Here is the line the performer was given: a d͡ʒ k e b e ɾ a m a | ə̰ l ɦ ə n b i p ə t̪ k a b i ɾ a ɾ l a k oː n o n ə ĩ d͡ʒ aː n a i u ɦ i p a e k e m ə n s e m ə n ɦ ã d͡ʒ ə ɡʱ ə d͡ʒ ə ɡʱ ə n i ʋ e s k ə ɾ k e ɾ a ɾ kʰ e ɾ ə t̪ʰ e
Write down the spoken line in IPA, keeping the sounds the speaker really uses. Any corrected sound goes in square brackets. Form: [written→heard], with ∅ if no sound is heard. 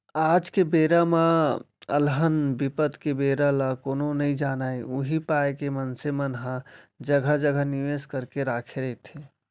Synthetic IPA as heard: a d͡ʒ k e b e ɾ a m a | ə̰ l ɦ ə n b i p ə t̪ k [a→e] b [i→e] ɾ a [ɾ→∅] l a k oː n o n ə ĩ d͡ʒ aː n a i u ɦ i p a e k e m ə n s e m ə n ɦ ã d͡ʒ ə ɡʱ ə d͡ʒ ə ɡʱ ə n i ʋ e s k ə ɾ k e ɾ a [ɾ→∅] kʰ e ɾ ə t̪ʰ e